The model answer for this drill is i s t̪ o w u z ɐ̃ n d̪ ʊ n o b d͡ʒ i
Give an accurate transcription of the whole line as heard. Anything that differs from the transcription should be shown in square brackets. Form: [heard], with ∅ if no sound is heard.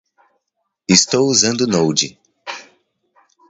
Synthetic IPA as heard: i s t̪ o w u z ɐ̃ n d̪ ʊ n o [w] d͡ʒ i

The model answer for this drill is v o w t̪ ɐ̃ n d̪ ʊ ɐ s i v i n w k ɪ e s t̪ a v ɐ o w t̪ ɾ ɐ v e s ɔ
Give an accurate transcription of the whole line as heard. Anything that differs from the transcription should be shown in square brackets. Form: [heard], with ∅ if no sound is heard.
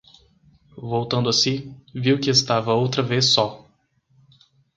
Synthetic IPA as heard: v o w t̪ ɐ̃ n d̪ ʊ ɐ s i v i [∅] w k ɪ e s t̪ a v ɐ o w t̪ ɾ ɐ v e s ɔ

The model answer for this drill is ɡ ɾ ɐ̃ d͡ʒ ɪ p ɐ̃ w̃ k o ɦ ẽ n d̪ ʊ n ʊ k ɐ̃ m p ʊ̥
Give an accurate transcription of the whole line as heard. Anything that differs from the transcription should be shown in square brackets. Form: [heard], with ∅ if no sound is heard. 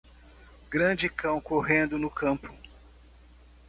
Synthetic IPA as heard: ɡ ɾ ɐ̃ d͡ʒ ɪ [k] ɐ̃ w̃ k o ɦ ẽ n d̪ ʊ n ʊ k ɐ̃ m p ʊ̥

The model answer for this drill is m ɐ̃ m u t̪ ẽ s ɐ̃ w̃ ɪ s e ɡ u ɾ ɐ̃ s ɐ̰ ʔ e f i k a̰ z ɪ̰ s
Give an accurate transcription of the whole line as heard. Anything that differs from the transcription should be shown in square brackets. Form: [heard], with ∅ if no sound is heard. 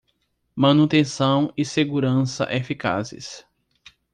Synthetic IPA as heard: m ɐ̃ [n] u t̪ ẽ s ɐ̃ w̃ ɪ s e ɡ u ɾ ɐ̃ s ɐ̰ ʔ e f i k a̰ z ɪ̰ s

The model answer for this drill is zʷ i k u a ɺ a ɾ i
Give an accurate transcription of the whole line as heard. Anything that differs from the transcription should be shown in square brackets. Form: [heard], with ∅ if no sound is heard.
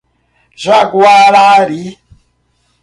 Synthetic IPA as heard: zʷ [a] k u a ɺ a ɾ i

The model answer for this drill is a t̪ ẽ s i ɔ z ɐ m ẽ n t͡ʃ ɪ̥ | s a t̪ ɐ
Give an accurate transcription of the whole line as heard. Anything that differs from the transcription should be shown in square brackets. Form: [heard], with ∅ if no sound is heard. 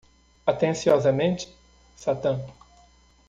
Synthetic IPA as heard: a t̪ ẽ s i ɔ z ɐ m ẽ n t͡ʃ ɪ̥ | s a t̪ [ɐ̃]

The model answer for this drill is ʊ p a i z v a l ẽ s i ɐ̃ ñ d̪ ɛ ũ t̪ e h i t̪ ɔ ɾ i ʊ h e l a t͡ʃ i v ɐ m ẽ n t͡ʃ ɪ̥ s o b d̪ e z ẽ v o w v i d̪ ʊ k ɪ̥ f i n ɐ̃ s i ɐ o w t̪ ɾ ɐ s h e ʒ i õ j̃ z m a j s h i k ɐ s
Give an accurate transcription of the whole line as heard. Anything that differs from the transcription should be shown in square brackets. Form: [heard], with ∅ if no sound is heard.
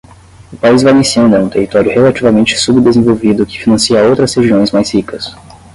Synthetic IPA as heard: ʊ p a i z v a l ẽ s i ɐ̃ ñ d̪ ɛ ũ t̪ e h i t̪ ɔ ɾ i ʊ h e l a t͡ʃ i v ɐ m ẽ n t͡ʃ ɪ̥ s [u] b d̪ e z ẽ v o w v i d̪ ʊ k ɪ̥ f i n ɐ̃ s i ɐ o w t̪ ɾ ɐ s h e ʒ i õ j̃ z m a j s h i k ɐ s

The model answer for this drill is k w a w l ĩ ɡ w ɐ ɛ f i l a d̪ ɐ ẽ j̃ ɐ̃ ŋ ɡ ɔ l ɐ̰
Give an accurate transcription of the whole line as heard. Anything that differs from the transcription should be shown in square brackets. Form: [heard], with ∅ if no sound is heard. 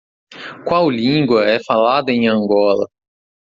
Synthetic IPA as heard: k w a w l ĩ ɡ w ɐ ɛ f [a] l a d̪ ɐ ẽ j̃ ɐ̃ ŋ ɡ ɔ l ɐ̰

